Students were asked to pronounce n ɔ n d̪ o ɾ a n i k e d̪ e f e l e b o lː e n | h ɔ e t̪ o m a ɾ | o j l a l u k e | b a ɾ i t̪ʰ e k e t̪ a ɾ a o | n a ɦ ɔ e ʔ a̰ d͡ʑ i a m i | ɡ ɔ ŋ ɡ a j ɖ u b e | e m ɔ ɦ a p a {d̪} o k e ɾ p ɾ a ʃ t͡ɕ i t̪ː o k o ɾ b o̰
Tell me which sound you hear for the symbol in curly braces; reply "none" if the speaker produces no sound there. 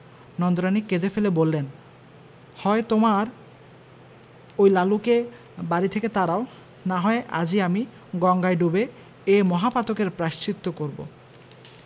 t̪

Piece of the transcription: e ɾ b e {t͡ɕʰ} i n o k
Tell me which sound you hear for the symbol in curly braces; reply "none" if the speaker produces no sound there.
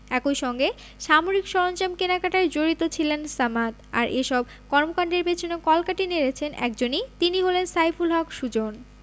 t͡ɕʰ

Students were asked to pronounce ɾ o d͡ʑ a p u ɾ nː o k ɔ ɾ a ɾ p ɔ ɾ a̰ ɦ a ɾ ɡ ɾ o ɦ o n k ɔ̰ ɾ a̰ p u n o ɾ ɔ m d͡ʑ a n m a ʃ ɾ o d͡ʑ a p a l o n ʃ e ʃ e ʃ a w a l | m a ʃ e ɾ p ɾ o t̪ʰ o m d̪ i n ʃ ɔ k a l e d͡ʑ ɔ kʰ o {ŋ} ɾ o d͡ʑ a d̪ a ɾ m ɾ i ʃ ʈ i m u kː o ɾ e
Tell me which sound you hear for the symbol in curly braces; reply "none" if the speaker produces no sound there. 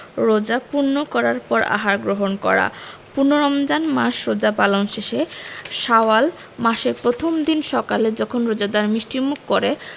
n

